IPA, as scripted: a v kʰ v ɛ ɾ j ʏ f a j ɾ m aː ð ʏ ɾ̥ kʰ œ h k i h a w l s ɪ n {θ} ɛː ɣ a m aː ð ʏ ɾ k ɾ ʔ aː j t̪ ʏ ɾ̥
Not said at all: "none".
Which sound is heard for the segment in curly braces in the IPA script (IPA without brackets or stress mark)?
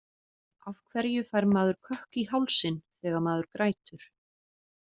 θ